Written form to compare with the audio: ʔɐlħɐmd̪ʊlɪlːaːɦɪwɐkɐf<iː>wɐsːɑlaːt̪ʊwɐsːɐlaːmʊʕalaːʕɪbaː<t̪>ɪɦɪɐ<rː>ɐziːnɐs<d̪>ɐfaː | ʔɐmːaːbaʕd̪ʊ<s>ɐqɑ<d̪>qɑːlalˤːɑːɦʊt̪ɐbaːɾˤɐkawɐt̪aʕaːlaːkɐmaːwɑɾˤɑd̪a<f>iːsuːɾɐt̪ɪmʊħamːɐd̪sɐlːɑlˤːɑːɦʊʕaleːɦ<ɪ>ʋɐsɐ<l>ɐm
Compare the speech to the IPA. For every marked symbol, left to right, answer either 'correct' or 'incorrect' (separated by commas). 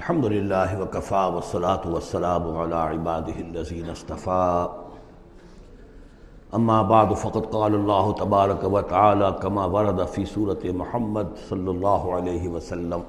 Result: incorrect, incorrect, incorrect, incorrect, incorrect, correct, correct, correct, incorrect